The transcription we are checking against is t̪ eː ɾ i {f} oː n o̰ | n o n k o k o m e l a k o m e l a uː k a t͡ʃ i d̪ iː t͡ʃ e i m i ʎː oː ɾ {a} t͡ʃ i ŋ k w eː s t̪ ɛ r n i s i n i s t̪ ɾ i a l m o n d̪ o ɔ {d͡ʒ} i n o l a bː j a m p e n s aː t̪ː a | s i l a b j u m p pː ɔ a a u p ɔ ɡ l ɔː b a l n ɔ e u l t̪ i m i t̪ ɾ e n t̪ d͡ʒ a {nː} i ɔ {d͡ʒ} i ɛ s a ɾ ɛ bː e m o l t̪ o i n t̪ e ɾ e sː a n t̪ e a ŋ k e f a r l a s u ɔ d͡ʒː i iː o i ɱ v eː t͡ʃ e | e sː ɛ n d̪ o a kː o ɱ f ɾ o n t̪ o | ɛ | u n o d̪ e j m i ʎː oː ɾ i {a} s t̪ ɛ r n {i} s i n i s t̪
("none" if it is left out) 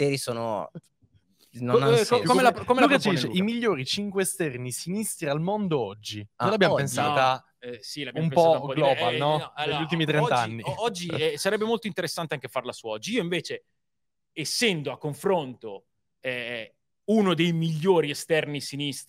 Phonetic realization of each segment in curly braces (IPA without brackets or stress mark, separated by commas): s, i, d͡ʒː, nː, d͡ʒː, e, i